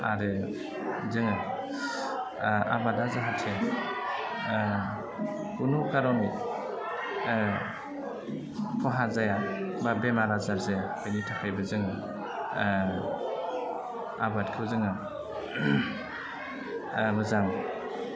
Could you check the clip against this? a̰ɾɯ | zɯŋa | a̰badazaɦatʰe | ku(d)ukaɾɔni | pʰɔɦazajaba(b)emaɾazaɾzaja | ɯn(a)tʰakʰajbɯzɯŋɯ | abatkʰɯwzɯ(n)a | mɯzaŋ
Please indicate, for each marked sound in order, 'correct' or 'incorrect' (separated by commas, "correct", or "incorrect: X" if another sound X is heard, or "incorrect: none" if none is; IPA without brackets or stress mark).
incorrect: n, correct, incorrect: i, incorrect: ŋ